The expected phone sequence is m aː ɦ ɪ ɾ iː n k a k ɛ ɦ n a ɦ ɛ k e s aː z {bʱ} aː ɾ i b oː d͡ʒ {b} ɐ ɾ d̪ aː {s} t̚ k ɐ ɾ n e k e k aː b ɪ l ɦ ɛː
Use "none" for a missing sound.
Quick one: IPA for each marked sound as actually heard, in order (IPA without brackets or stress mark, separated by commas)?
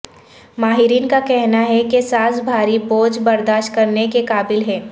bʱ, b, ʃ